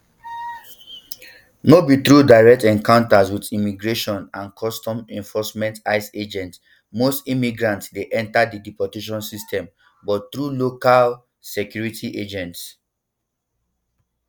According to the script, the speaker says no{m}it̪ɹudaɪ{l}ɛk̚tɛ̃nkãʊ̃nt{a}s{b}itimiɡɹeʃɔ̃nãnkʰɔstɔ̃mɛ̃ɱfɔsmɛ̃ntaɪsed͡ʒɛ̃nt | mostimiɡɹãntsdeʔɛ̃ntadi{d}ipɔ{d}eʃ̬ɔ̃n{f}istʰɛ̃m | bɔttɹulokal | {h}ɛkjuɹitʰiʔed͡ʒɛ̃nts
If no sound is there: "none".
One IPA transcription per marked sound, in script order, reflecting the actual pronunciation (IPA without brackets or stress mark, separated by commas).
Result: b, ɹ, a, w, d, t, s, s